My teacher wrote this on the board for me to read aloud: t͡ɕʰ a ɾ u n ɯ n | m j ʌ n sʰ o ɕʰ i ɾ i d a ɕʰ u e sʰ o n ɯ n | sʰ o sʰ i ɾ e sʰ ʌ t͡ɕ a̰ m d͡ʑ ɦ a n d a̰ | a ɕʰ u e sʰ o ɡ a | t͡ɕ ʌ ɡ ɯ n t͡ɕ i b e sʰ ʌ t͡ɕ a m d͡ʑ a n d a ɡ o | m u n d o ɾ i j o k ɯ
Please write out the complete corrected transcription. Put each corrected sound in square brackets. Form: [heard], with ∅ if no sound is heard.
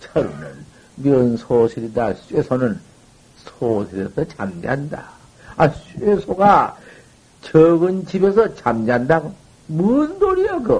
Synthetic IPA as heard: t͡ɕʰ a ɾ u n ɯ n | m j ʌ n sʰ o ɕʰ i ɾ i d a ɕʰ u e sʰ o n ɯ n | sʰ o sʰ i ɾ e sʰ ʌ t͡ɕ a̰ m d͡ʑ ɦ a n d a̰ | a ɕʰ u e sʰ o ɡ a | t͡ɕ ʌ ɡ ɯ n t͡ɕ i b e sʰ ʌ t͡ɕ a m d͡ʑ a n d a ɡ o | m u n d o ɾ i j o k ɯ